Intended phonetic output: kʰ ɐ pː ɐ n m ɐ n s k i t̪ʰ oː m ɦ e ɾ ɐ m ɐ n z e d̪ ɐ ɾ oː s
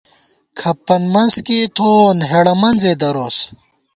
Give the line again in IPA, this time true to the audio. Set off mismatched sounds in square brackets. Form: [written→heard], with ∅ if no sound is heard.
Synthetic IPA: kʰ ɐ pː ɐ n m ɐ n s k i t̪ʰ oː [m→n] ɦ e [ɾ→ɽ] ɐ m ɐ n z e d̪ ɐ ɾ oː s